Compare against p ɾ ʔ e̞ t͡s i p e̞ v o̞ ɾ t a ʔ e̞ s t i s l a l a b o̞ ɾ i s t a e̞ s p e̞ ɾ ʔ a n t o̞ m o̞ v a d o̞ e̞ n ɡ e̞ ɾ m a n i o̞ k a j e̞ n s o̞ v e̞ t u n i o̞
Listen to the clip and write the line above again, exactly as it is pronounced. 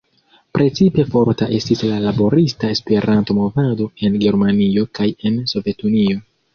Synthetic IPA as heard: p ɾ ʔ e̞ t͡s i p e̞ f o̞ ɾ t a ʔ e̞ s t i s l a l a b o̞ ɾ i s t a e̞ s p e̞ ɾ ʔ a n t o̞ m o̞ v a d o̞ e̞ n ɡ e̞ ɾ m a n i o̞ k a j e̞ n s o̞ v e̞ t u n i o̞

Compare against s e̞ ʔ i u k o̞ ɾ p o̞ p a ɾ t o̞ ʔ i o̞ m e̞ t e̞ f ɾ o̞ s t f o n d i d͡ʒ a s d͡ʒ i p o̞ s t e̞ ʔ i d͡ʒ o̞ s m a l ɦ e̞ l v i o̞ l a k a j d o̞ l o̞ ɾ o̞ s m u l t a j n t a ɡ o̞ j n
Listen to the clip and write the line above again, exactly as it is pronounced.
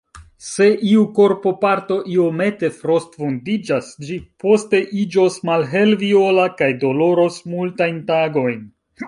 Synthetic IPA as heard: s e̞ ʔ i u k o̞ ɾ p o̞ p a ɾ t o̞ ʔ i o̞ m e̞ t e̞ f ɾ o̞ s t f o n d i d͡ʒ a s d͡ʒ i p o̞ s t e̞ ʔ i d͡ʒ o̞ s m a l ɦ e̞ l v i o̞ l a k a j d o̞ l o̞ ɾ o̞ s m u l t a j n t a ɡ o̞ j n

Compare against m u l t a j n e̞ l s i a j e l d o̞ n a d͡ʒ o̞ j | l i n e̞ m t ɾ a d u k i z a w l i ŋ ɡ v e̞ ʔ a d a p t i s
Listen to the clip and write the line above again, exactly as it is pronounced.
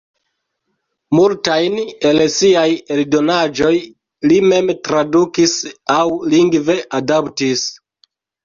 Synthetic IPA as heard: m u l t a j n e̞ l s i a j e l d o̞ n a d͡ʒ o̞ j | l i m e̞ m t ɾ a d u k i s a w l i ŋ ɡ v e̞ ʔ a d a p t i s

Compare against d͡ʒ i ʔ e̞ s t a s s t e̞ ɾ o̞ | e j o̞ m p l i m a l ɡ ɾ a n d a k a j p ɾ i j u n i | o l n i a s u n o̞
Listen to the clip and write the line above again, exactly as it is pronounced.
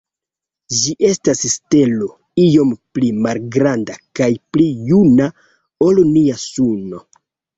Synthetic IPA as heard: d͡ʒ i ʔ e̞ s t a s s t e̞ l o̞ | i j o̞ m p l i m a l ɡ ɾ a n d a k a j p l i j u n a | o l n i a s u n o̞

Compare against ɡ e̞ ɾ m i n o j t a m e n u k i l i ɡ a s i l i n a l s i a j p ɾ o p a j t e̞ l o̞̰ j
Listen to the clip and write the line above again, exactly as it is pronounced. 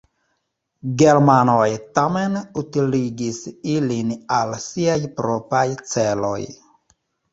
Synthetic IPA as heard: ɡ e̞ ɾ m a n o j t a m e n u t i l i ɡ i s i l i n a l s i a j p ɾ o p a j t͡s e̞ l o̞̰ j

